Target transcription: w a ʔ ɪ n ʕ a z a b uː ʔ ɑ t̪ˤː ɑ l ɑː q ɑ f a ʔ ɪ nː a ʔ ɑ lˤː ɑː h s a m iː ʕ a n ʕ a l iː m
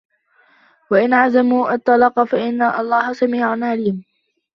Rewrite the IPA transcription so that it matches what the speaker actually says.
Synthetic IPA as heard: w a ʔ ɪ n ʕ a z a m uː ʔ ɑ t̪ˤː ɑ l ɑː q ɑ f a ʔ ɪ nː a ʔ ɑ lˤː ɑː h s a m iː ʕ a n ʕ a l iː m